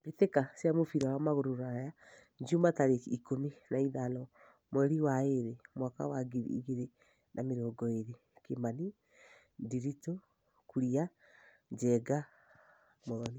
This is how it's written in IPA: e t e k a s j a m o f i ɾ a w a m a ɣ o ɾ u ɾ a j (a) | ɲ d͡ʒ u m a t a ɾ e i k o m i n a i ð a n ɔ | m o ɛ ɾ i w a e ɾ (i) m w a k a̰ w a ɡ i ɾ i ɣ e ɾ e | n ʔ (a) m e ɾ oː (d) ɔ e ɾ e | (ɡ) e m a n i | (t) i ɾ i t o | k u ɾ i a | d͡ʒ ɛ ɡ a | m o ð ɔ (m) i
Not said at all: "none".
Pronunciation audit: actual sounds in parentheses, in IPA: a, e, a, ɡ, k, d, n

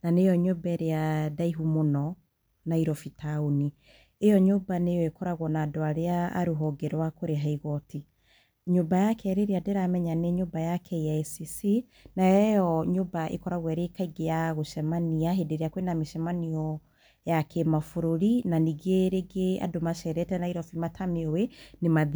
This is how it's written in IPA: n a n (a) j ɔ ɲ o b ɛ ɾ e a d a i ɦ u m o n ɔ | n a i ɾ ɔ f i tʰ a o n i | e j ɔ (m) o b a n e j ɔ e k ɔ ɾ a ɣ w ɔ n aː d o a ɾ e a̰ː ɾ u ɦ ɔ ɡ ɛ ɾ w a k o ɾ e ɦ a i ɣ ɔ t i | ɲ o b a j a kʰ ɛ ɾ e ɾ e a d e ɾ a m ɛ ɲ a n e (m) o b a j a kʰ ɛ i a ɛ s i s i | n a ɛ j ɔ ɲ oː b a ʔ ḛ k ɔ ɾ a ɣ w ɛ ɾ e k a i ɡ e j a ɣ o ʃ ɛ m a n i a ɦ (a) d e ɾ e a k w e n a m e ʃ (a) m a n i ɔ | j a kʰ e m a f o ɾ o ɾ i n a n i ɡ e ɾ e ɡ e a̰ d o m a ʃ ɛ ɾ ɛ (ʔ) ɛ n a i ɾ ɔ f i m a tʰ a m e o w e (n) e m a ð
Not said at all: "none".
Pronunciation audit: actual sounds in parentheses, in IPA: e, ɲ, ɲ, e, ɛ, t, n

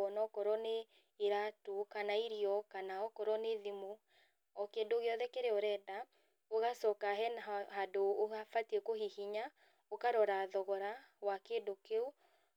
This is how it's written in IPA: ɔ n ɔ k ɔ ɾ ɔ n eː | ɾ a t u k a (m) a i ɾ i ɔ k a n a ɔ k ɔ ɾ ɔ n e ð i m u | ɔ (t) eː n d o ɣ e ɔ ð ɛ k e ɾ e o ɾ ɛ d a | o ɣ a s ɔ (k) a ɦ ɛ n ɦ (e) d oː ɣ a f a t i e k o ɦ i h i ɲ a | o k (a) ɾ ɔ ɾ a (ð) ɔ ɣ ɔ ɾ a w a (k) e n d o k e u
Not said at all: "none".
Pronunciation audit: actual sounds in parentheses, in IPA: n, k, k, a, a, ð, k

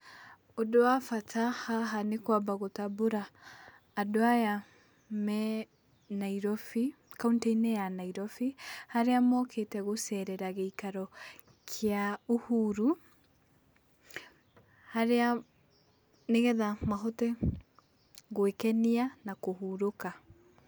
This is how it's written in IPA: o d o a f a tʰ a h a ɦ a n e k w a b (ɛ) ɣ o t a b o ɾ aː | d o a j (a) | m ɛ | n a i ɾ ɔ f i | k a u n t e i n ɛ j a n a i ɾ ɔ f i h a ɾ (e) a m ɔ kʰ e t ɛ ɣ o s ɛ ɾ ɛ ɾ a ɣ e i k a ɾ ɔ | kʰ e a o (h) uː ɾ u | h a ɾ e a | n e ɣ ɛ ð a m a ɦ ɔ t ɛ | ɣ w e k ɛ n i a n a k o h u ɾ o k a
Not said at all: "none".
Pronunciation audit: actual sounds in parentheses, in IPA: a, a, e, h

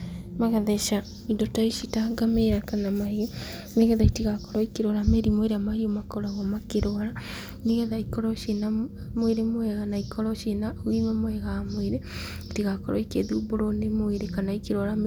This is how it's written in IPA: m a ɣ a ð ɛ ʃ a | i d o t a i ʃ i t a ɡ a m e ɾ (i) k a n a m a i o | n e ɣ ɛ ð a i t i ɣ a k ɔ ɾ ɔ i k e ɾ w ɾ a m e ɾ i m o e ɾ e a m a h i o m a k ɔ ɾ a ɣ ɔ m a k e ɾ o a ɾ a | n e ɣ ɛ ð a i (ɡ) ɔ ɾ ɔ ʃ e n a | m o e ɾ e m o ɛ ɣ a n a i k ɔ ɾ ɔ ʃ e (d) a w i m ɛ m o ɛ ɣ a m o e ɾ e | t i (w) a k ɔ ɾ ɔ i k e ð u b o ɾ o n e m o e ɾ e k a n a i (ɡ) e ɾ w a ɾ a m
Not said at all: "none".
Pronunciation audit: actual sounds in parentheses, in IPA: a, k, n, ɣ, k

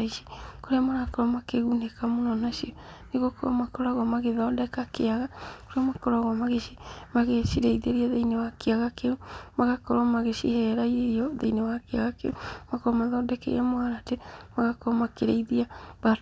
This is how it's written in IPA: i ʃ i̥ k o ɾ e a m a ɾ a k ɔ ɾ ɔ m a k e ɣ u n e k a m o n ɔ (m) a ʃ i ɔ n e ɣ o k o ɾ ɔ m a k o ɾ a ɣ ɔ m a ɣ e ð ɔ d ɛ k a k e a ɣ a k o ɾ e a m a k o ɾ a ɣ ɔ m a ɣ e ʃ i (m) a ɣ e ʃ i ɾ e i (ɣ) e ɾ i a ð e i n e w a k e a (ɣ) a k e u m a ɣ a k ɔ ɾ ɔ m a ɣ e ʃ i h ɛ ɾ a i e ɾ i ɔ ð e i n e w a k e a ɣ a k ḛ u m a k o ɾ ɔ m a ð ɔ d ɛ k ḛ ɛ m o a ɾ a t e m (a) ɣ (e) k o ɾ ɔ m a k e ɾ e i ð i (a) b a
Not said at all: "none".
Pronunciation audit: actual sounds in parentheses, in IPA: n, m, ð, ɣ, a, a, a

